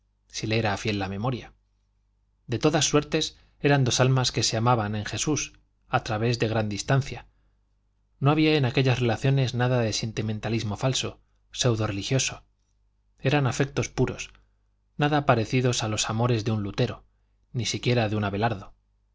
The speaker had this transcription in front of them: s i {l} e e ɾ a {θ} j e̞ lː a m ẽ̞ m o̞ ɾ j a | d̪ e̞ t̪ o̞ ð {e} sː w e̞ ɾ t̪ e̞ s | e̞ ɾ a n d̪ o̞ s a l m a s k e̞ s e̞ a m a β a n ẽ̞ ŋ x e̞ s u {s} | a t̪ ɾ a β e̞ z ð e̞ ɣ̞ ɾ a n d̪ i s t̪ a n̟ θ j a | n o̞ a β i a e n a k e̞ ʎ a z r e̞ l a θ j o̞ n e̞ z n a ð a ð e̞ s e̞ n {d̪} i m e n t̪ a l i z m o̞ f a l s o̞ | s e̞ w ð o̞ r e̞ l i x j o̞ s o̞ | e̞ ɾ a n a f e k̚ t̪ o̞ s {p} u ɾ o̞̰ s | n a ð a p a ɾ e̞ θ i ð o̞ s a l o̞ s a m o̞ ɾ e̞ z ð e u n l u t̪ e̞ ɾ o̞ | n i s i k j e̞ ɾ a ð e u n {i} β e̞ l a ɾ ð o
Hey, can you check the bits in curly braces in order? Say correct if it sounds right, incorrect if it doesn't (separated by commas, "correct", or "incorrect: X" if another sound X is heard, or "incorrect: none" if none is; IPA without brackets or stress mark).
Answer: correct, incorrect: f, incorrect: a, correct, incorrect: t̪, correct, incorrect: a